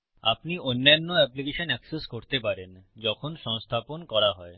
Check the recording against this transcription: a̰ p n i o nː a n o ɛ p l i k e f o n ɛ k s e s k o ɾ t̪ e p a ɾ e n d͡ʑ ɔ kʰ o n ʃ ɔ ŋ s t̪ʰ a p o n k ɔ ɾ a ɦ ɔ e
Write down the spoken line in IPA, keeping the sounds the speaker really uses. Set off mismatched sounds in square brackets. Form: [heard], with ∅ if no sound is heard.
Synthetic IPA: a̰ p n i o nː a [nː] o ɛ p l i k e [ʃ] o n ɛ k s e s k o ɾ t̪ e p a ɾ e n d͡ʑ ɔ kʰ o n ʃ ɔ ŋ s t̪ʰ a p o n k ɔ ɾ a ɦ ɔ e